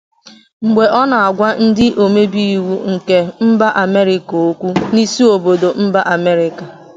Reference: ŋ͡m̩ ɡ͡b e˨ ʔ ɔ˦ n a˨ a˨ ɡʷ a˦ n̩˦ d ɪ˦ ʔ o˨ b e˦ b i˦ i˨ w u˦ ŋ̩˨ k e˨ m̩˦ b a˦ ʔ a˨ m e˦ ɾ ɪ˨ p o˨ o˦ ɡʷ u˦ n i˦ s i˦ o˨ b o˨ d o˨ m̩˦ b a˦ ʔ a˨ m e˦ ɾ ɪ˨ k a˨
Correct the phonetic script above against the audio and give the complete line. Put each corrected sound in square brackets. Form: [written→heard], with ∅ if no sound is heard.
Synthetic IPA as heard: ŋ͡m̩ ɡ͡b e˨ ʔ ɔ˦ n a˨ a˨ ɡʷ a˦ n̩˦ d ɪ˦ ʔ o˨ [b→m] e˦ b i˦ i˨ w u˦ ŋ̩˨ k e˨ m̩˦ b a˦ ʔ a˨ m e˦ ɾ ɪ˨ [p→k] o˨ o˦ [ɡʷ→kʷ] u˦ n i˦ s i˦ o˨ b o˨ d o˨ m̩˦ b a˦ ʔ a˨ m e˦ ɾ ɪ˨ k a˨